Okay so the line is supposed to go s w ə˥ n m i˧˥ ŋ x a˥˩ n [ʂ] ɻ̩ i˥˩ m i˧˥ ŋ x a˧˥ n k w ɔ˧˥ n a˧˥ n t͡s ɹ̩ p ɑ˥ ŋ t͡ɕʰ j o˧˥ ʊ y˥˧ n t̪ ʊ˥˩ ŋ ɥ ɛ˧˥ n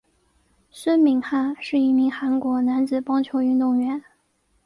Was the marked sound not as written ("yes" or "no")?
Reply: no